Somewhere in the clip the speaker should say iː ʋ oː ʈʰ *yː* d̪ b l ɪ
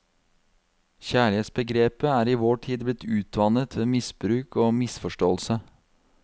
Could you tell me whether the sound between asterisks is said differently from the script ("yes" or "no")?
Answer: yes